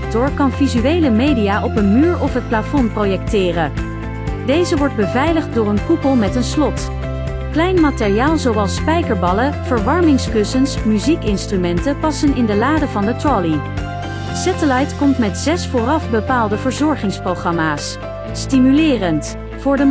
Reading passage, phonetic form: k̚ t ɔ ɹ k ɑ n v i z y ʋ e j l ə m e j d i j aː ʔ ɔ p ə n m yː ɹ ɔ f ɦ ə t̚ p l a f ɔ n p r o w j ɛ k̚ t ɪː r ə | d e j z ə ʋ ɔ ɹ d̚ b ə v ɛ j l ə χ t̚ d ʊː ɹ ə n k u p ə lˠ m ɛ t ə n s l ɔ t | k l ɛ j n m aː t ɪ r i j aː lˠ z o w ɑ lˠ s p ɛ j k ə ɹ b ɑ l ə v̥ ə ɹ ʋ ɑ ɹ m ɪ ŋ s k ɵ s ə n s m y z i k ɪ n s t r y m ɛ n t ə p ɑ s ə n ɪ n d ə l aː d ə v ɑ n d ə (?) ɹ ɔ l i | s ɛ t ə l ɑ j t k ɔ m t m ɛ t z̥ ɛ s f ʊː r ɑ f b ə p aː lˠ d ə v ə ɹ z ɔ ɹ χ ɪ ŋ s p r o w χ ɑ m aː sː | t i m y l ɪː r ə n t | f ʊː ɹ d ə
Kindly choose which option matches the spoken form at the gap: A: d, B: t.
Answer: B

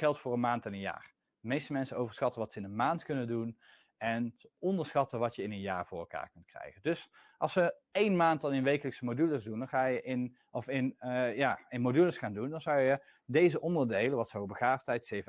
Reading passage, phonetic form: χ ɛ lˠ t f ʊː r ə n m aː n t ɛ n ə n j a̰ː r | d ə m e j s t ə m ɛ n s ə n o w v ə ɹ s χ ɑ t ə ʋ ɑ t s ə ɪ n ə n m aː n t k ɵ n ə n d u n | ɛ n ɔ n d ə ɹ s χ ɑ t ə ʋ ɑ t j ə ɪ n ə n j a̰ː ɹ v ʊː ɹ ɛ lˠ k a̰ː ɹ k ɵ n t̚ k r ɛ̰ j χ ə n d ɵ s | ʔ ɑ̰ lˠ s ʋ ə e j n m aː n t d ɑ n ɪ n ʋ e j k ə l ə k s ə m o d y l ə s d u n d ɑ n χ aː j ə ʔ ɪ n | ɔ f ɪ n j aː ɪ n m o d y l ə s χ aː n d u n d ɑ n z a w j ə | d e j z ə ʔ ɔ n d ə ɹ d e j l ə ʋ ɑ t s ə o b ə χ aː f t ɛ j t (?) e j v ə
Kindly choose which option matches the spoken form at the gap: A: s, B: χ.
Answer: A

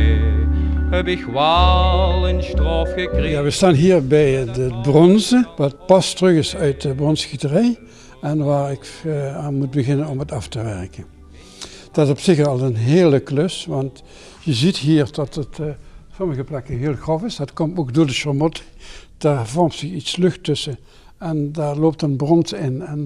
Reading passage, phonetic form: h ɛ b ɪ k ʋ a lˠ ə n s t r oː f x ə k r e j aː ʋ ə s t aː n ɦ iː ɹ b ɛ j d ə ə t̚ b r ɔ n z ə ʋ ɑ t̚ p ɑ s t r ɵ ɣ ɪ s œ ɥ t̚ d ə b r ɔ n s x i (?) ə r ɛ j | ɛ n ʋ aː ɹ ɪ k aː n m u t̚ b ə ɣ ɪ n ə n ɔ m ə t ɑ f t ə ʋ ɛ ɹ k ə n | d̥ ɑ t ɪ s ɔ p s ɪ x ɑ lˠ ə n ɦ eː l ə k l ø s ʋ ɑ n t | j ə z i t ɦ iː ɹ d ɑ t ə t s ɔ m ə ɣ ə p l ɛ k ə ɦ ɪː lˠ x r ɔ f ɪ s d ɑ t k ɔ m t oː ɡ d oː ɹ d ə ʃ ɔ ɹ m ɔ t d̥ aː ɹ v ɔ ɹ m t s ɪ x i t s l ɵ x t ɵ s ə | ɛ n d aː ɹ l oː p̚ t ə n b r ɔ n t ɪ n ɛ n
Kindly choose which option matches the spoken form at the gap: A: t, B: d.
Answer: A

